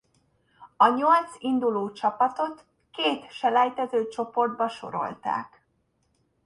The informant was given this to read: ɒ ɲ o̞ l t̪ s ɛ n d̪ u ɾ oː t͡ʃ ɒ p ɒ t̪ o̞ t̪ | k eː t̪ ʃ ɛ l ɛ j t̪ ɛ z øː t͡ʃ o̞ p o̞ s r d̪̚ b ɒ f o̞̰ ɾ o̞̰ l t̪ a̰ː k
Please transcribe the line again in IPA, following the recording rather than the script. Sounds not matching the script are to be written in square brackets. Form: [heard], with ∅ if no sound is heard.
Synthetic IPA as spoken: ɒ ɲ o̞ l t̪ s [i] n d̪ u [l] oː t͡ʃ ɒ p ɒ t̪ o̞ t̪ | k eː t̪ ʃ ɛ l ɛ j t̪ ɛ z øː t͡ʃ o̞ p o̞ [∅] r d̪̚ b ɒ [ʃ] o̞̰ ɾ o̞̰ l t̪ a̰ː k